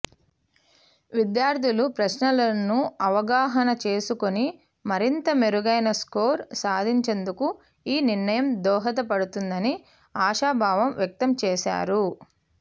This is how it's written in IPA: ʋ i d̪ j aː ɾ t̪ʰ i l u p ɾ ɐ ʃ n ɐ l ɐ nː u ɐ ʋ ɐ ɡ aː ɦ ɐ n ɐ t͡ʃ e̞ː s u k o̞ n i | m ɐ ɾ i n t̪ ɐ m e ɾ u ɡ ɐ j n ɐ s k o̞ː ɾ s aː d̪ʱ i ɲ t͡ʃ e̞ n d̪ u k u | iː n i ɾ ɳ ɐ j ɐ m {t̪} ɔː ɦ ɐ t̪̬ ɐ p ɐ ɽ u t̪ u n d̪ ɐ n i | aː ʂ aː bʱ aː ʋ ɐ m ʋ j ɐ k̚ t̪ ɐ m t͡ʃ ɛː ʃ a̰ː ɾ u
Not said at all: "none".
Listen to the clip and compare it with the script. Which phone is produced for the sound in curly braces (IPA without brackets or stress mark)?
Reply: d̪